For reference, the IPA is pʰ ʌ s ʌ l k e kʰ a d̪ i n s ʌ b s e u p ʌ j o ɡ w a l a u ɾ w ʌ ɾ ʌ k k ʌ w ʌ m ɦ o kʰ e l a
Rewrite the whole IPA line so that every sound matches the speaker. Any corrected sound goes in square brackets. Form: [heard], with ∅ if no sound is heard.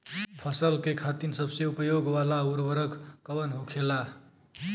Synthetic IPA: pʰ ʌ s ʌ l k e kʰ a [t̪] i n s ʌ b s e u p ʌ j o ɡ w a l a u ɾ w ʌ ɾ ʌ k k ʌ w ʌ [n] ɦ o kʰ e l a